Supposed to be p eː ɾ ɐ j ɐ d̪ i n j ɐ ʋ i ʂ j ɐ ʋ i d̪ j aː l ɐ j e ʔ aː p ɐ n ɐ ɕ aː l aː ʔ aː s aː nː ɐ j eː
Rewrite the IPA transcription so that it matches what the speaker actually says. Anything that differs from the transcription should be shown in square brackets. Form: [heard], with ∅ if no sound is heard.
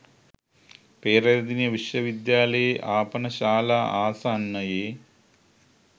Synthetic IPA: p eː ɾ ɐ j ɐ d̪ i n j ɐ ʋ i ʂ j ɐ ʋ i d̪ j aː l ɐ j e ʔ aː p ɐ n ɐ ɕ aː l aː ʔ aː s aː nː ɐ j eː

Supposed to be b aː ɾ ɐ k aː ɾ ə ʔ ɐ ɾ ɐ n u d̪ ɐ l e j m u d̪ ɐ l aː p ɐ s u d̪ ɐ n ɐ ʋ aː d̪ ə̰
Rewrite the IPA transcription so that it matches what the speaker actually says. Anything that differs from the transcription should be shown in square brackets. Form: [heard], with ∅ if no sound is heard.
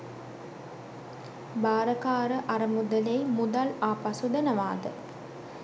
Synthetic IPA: b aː ɾ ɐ k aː ɾ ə ʔ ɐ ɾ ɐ [m] u d̪ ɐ l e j m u d̪ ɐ l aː p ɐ s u d̪ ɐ n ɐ ʋ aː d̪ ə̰

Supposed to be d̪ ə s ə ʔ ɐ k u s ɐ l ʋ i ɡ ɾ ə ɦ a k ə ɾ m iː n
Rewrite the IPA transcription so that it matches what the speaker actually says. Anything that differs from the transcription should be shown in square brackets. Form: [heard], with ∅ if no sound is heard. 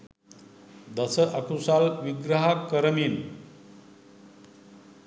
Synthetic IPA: d̪ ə s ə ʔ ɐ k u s [a] l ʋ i ɡ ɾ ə ɦ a k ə ɾ m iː n

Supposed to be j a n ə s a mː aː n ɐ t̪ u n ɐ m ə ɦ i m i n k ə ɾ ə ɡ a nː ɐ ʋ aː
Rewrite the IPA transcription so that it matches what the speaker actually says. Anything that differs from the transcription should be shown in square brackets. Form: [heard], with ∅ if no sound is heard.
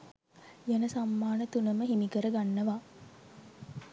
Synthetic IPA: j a n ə s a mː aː n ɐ t̪ u n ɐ m ə ɦ i m i [∅] k ə ɾ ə ɡ a nː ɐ ʋ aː

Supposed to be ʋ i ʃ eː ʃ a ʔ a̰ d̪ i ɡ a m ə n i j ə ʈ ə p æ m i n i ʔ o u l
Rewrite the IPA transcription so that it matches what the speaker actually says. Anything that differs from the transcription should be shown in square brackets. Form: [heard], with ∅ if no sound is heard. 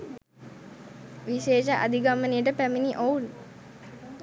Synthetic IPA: ʋ i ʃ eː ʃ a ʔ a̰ d̪ i ɡ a m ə n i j ə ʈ ə p æ m i n i ʔ o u l

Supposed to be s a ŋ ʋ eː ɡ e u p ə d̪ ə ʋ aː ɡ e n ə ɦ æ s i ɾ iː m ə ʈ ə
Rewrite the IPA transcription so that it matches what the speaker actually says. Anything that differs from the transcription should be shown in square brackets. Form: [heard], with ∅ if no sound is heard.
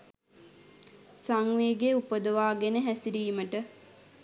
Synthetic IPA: s a ŋ ʋ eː ɡ e u p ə d̪ ə ʋ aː ɡ e n ə ɦ æ s i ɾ iː m ə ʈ ə

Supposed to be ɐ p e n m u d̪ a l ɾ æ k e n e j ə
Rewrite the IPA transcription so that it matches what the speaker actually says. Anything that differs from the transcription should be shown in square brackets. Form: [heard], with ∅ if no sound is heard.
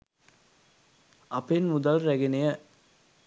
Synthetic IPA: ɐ p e n m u d̪ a l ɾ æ [ɡ] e n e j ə

